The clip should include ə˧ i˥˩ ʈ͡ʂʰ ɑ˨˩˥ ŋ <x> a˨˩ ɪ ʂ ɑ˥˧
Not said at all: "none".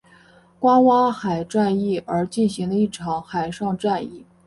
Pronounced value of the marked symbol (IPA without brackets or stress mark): x